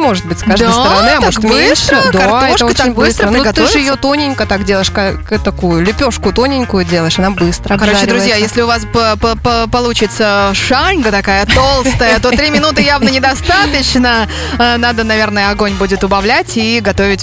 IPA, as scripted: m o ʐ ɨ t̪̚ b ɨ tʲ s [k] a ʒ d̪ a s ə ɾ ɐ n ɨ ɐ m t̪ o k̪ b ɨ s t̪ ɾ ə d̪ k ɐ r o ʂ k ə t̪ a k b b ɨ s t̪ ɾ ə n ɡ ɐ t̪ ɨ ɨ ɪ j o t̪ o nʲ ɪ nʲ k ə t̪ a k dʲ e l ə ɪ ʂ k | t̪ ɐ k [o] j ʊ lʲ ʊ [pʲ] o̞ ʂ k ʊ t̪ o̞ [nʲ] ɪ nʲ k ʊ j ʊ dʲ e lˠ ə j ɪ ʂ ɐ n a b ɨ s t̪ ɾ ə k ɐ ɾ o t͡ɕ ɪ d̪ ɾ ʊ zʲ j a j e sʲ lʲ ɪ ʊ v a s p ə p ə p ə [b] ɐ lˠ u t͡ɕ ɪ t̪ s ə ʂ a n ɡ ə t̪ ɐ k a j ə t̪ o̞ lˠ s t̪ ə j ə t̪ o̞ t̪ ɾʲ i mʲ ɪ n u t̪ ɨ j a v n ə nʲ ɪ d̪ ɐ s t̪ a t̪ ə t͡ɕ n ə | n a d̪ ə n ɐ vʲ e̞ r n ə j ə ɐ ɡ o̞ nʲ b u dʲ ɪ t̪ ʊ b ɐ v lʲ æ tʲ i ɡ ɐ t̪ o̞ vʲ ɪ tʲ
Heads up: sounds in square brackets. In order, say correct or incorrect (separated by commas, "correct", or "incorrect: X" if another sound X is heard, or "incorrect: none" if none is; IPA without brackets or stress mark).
correct, incorrect: u, correct, correct, incorrect: p